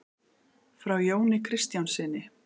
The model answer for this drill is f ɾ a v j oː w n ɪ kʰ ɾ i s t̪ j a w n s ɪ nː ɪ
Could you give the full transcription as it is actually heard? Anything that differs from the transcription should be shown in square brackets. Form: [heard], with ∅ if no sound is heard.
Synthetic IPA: f ɾ a [w] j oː w n ɪ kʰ ɾ [ɪ] s t̪ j a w n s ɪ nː ɪ